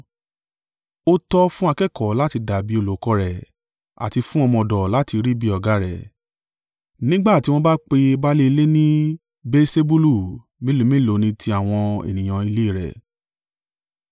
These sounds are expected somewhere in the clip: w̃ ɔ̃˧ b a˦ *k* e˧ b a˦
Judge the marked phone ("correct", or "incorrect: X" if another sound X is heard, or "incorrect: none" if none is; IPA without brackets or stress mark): incorrect: k͡p